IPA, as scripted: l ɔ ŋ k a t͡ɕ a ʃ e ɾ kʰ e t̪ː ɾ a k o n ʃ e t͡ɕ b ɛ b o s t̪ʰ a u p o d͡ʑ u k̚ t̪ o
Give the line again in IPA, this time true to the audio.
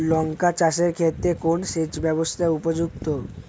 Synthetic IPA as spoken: l ɔ ŋ k a t͡ɕ a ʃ e ɾ kʰ e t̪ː ɾ e k o n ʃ e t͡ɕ b ɛ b o s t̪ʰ a u p o d͡ʑ u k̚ t̪ o

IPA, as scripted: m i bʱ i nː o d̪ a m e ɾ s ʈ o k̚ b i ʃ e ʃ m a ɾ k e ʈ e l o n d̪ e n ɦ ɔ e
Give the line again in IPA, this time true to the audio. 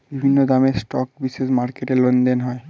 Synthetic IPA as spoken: b i bʱ i nː o d̪ a m e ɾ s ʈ ɔ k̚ b i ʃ e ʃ m a ɾ k e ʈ e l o n d̪ e n ɦ ɔ e

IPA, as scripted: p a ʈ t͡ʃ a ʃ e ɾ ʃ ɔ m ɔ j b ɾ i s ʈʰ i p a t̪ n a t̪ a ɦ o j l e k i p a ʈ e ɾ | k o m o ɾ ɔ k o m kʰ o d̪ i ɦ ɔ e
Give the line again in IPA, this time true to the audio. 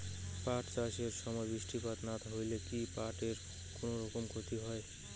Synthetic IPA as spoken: p a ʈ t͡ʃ a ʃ e ɾ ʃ ɔ m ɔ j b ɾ i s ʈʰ i p a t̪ n a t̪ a ɦ o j l e k i p a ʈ e ɾ | k o n o ɾ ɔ k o m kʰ o t̪ i ɦ ɔ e

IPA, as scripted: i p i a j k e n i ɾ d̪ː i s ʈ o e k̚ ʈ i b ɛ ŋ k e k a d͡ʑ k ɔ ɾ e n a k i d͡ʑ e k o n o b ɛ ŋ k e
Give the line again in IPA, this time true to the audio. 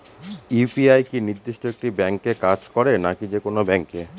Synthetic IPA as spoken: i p i a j k i n i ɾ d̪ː i ʃ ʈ o e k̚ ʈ i b ɛ ŋ k e k a d͡ʑ k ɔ ɾ e n a k i d͡ʑ e k o n o b ɛ ŋ k e

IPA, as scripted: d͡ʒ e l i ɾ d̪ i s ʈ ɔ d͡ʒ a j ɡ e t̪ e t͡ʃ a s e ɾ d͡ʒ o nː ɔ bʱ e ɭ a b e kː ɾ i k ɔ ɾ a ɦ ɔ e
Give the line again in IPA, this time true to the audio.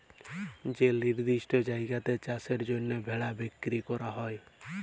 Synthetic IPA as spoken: d͡ʒ e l i ɾ d̪ i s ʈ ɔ d͡ʒ a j ɡ a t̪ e t͡ʃ a s e ɾ d͡ʒ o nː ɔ bʱ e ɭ a b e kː ɾ i k ɔ ɾ a ɦ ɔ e

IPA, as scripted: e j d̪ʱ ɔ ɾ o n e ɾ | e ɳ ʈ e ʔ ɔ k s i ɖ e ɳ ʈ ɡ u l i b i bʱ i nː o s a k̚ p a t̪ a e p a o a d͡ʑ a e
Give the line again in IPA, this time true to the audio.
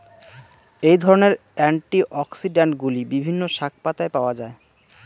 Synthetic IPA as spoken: e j d̪ʱ ɔ ɾ o n e ɾ | ɛ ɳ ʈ i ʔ ɔ k s i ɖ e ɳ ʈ ɡ u l i b i bʱ i nː o ʃ a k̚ p a t̪ a e p a o a d͡ʑ a e

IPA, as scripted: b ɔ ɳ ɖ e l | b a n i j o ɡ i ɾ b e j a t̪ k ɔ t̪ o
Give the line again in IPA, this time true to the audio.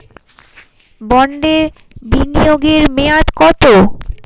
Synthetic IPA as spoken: b ɔ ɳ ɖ e ɾ | b i n i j o ɡ e ɾ m e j a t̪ k ɔ t̪ o

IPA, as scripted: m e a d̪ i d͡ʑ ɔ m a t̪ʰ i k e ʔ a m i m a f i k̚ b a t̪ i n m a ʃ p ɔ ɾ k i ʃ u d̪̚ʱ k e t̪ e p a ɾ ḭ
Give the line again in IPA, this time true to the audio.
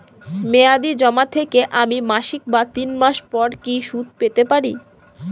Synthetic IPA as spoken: m e a d̪ i d͡ʑ ɔ m a t̪ʰ e k e ʔ a m i m a ʃ i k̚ b a t̪ i n m a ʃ p ɔ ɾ k i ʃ u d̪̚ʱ p e t̪ e p a ɾ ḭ

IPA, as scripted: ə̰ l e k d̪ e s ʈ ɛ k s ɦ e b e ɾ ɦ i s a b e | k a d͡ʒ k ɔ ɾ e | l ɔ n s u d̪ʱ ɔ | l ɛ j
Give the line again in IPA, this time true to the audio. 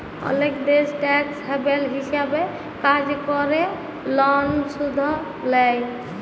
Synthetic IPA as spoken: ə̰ l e k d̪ e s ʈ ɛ k s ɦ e b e l ɦ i s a b e | k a d͡ʒ k ɔ ɾ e | l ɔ n s u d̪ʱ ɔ | l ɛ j

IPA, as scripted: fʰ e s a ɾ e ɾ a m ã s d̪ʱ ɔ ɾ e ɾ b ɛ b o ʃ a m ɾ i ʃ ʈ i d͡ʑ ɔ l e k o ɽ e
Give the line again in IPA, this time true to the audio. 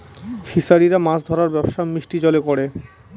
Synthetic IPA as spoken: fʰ i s a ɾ i ɾ a m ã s d̪ʱ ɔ ɾ a ɾ b ɛ b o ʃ a m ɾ i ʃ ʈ i d͡ʑ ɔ l e k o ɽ e

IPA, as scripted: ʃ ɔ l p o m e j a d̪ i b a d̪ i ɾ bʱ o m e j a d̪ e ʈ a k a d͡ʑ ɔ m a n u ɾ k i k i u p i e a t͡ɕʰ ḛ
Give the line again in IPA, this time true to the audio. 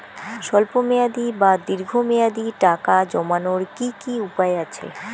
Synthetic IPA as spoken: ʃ ɔ l p o m e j a d̪ i b a d̪ i ɾ ɡʱ o m e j a d̪ i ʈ a k a d͡ʑ ɔ m a n o ɾ k i k i u p a e a t͡ɕʰ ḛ

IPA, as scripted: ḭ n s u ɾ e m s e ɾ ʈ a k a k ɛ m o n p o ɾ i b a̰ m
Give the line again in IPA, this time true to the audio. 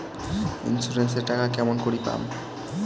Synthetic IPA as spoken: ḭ n s u ɾ e n s e ɾ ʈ a k a k ɛ m o n k o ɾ i p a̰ m

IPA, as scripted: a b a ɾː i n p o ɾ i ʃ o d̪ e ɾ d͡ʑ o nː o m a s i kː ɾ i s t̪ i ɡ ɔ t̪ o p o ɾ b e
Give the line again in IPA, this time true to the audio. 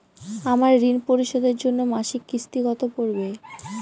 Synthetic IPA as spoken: a m a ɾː i n p o ɾ i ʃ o d̪ e ɾ d͡ʑ o nː o m a ʃ i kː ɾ i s t̪ i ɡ ɔ t̪ o p o ɾ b e

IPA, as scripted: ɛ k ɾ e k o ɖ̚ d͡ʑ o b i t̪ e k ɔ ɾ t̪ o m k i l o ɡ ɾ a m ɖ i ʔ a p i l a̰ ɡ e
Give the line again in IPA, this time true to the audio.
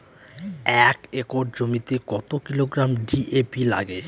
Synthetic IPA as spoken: ɛ k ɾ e k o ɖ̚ d͡ʑ o m i t̪ e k ɔ t̪ o k i l o ɡ ɾ a m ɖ i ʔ e p i l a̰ ɡ e

